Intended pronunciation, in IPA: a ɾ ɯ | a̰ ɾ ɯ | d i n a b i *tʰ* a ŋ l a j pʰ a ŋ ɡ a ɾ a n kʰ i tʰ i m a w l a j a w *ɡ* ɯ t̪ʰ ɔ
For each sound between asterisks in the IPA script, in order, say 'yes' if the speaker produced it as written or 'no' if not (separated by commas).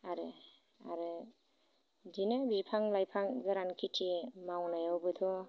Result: no, no